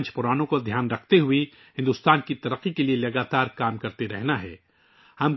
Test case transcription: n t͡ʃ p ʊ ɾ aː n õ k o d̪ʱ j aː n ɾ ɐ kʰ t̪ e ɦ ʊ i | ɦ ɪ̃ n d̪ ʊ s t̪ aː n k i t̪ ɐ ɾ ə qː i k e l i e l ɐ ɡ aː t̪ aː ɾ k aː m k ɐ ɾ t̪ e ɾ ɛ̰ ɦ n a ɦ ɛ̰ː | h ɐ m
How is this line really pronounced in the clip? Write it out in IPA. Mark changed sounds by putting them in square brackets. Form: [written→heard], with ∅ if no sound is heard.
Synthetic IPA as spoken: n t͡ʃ p ʊ ɾ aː n õ k o d̪ʱ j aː n ɾ ɐ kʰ t̪ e ɦ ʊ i | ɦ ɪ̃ n d̪ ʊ s t̪ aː n k i t̪ ɐ ɾ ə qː i k e l i e l ɐ ɡ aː t̪ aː ɾ k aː m k ɐ ɾ t̪ e ɾ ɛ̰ ɦ n a ɦ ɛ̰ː | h ɐ m